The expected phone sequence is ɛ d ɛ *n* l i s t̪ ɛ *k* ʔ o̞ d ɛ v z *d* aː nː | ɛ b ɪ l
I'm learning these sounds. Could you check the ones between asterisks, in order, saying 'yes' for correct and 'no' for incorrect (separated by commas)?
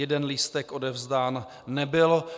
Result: yes, yes, yes